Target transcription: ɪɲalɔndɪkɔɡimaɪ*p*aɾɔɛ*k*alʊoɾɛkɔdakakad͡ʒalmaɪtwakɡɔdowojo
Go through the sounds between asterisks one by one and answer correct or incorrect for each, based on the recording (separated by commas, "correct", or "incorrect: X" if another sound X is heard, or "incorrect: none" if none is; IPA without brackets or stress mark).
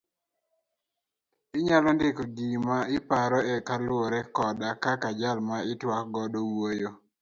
correct, correct